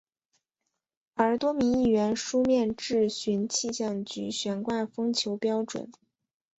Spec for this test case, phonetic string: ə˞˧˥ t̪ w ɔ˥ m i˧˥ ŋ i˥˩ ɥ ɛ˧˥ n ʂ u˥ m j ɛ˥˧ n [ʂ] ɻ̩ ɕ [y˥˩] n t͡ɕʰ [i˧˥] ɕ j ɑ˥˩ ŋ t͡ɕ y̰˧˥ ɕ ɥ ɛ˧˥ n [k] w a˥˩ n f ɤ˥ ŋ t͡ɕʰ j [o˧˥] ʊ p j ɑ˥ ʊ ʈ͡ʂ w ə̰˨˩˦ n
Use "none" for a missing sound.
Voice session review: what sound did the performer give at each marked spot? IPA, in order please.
ʈ͡ʂ, y˧˥, i˥˧, k, o˧˥

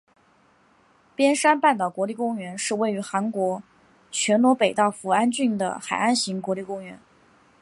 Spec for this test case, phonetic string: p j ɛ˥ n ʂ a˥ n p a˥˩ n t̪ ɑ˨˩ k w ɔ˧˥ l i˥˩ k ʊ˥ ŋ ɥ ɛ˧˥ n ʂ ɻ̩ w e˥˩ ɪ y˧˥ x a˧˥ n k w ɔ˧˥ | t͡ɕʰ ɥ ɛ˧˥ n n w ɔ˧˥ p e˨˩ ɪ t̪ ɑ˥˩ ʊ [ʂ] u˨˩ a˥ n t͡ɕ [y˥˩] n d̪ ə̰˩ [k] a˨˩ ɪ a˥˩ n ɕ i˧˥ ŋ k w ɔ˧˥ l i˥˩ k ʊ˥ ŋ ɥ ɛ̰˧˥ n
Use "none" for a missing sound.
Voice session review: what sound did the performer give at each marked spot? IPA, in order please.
f, y˥˩, x

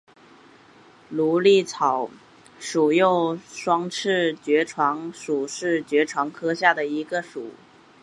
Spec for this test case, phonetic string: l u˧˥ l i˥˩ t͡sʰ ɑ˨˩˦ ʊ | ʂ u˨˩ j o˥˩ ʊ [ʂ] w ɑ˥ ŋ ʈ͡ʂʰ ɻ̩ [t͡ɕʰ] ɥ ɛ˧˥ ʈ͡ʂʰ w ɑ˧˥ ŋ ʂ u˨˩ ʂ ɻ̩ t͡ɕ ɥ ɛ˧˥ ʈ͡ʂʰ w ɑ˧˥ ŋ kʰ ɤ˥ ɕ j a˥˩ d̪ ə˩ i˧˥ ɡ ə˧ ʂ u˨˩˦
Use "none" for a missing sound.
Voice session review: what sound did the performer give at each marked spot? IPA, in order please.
ʂ, t͡ɕ

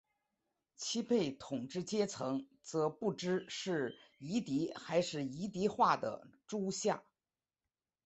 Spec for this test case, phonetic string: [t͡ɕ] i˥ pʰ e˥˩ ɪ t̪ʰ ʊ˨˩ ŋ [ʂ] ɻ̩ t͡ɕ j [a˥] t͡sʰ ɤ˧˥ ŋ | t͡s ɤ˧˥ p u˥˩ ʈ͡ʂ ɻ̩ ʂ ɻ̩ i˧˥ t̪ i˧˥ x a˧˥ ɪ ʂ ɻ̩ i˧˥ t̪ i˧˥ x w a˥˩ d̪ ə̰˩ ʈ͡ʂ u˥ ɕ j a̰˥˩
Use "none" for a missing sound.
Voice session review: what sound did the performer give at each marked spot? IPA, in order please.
t͡ɕʰ, ʈ͡ʂ, ɛ˥

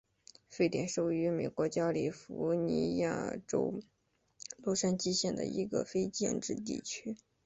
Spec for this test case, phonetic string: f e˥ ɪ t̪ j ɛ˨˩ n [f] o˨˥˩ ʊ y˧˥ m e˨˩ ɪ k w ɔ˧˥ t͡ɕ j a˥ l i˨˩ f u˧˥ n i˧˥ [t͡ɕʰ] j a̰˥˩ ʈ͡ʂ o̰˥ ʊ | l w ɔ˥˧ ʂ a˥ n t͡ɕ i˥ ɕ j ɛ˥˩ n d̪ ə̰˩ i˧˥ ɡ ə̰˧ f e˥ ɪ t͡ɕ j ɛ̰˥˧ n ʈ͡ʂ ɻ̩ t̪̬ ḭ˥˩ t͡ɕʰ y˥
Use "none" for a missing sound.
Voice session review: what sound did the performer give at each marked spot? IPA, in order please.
ʂ, none

